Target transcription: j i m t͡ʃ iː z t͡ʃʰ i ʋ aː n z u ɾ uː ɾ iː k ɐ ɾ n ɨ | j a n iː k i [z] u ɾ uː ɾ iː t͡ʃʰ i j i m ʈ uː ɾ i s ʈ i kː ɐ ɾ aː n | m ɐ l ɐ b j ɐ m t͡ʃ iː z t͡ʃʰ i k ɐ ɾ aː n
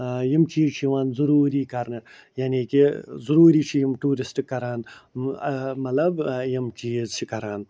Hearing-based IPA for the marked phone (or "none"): z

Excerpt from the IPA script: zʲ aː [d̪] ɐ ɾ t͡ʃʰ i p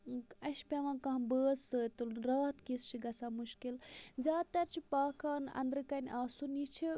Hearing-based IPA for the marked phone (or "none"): t̪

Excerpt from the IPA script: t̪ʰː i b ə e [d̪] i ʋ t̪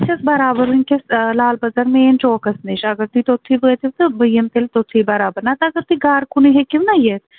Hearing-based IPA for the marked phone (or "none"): t̪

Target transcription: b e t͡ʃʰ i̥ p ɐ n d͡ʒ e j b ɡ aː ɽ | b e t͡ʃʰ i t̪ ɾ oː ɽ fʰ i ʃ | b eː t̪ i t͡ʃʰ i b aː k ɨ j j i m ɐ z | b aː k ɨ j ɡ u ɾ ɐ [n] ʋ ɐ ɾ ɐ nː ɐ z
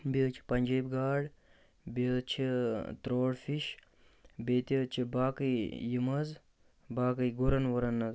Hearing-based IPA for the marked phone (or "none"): n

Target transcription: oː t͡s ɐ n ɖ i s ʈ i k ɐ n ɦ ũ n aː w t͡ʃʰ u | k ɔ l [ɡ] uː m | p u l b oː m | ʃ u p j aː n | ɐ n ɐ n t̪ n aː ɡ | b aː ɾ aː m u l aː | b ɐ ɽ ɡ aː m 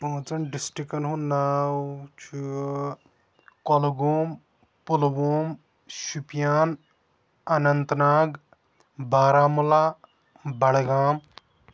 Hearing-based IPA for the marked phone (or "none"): ɡ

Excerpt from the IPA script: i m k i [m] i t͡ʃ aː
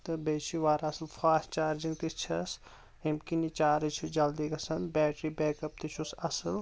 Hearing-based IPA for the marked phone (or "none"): n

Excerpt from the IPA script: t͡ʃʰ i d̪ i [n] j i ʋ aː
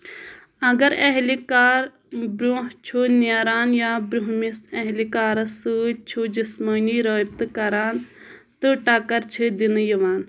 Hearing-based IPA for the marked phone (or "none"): n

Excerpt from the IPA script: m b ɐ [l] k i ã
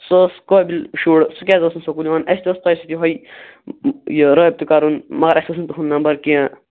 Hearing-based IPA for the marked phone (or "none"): ɾ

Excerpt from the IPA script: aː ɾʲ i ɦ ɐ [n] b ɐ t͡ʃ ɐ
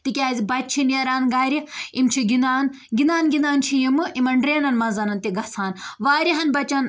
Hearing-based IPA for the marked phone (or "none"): n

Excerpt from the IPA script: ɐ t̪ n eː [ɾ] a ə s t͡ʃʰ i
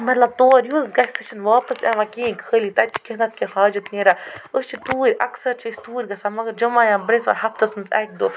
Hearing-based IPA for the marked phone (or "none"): ɾ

